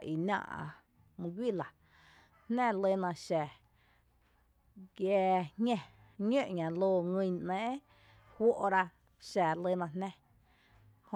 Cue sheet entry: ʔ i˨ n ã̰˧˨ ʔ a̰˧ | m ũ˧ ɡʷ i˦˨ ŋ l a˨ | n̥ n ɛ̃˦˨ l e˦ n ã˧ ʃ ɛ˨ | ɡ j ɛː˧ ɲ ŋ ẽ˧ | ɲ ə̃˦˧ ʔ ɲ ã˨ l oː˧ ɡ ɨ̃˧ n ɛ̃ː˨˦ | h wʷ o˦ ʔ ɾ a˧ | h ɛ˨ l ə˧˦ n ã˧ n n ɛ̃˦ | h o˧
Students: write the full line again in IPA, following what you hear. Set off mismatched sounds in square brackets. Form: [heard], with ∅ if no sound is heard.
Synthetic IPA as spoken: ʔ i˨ n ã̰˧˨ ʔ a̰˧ | m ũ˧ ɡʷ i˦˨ [∅] l a˨ | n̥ n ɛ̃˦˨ l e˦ n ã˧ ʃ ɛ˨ | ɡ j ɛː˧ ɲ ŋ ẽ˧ | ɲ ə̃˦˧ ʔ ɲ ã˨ l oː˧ [ŋ] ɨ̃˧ n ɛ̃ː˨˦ | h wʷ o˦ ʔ ɾ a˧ | [ʃ] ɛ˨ l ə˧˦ n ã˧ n n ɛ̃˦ | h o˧